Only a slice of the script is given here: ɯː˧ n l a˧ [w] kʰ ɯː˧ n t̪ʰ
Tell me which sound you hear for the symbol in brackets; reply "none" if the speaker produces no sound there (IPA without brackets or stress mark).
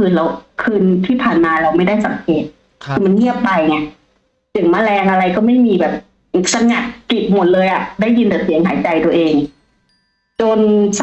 w